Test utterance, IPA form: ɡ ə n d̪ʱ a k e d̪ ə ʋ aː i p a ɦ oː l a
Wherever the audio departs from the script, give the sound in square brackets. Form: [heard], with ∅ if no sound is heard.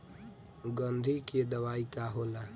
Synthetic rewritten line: ɡ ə n d̪ʱ [i] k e d̪ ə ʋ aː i [k] a ɦ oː l a